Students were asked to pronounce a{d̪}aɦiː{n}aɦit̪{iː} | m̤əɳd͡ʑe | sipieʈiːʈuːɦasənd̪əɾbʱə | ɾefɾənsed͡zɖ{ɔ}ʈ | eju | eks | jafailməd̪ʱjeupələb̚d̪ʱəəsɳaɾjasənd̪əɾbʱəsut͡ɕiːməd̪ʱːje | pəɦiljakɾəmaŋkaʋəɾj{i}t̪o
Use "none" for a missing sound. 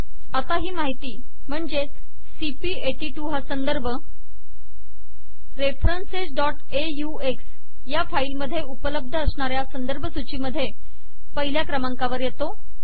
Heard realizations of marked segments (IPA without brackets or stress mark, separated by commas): t̪, m, iː, ɔ, e